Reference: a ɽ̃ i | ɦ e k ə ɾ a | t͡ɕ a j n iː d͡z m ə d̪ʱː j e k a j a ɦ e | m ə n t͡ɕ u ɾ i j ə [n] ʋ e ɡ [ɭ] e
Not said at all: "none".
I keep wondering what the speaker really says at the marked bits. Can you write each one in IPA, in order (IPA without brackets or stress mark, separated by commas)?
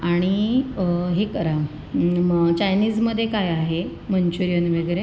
n, ɾ